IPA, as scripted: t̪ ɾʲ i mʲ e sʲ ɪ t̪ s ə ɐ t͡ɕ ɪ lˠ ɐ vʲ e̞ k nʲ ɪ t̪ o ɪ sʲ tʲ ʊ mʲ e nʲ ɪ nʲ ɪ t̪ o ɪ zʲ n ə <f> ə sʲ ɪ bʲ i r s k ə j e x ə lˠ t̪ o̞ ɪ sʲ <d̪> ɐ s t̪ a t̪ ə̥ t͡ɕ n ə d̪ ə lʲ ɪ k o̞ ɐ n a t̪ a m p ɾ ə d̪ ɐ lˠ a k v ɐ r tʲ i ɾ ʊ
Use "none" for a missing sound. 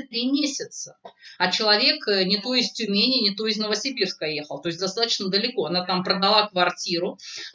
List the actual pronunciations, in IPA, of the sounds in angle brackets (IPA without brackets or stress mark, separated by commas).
v, d̪